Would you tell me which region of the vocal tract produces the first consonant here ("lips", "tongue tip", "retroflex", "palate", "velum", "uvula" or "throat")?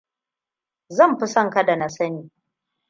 tongue tip